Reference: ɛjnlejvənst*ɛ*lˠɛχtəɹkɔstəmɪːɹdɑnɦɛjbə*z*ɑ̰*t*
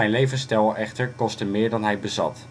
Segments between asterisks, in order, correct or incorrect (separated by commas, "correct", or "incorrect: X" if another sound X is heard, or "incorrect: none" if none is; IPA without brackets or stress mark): correct, correct, correct